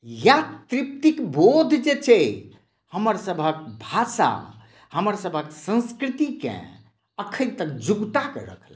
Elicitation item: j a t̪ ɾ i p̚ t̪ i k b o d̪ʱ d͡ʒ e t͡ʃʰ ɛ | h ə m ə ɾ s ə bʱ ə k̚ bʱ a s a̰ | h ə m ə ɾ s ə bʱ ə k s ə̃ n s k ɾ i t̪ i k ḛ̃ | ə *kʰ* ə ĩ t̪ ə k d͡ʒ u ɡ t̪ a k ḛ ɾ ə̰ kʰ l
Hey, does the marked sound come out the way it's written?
yes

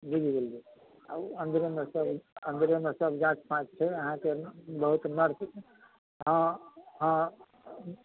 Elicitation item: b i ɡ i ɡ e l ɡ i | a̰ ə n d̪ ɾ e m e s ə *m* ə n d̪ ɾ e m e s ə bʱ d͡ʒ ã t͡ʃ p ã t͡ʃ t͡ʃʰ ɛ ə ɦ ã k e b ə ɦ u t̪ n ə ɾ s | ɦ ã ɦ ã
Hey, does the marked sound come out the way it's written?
no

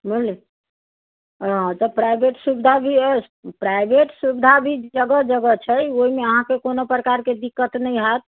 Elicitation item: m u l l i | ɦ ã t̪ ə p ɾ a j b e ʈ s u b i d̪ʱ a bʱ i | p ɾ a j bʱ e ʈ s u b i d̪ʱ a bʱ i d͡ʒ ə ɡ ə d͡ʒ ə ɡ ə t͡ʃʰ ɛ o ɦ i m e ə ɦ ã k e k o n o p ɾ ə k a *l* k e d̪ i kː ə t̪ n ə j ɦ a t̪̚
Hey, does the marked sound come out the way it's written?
no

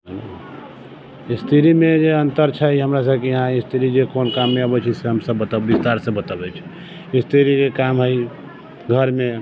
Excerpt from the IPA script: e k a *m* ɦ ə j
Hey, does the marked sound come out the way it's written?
yes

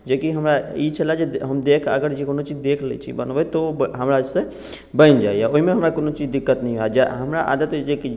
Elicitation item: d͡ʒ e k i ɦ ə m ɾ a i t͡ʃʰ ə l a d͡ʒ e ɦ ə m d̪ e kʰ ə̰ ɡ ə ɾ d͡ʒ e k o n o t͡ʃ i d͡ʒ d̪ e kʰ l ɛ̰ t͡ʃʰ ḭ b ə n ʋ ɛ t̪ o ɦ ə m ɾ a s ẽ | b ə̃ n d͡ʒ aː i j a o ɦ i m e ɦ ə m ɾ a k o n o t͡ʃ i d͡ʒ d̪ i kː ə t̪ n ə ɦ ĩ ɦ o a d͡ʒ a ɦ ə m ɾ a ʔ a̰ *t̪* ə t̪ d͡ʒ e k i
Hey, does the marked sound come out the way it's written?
no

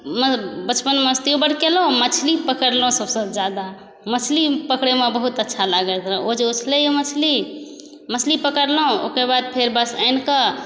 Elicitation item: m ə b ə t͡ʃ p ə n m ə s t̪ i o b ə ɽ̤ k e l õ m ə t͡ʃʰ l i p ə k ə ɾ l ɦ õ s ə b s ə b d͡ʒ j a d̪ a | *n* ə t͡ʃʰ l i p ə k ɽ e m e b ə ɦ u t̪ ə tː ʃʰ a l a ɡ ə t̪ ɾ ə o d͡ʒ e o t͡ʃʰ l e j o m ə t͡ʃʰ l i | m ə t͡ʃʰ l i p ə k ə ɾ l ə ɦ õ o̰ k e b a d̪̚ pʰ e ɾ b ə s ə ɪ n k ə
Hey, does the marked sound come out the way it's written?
no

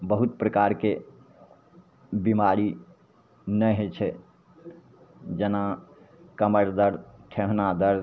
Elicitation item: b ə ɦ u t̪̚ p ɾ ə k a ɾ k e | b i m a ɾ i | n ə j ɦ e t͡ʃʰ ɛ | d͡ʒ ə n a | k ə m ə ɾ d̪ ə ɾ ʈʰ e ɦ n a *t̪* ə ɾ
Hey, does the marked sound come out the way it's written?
no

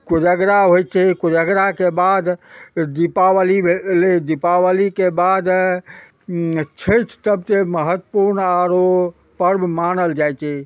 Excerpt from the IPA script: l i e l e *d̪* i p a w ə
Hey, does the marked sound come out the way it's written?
yes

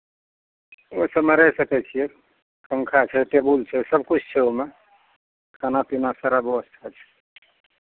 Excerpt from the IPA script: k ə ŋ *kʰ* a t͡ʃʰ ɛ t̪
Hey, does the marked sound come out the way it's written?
yes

